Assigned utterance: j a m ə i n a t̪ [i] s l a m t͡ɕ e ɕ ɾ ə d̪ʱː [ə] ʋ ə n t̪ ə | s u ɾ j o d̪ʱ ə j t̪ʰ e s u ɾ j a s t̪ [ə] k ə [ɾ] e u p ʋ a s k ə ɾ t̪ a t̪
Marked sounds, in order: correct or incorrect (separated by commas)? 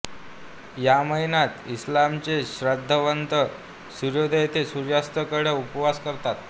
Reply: correct, correct, correct, incorrect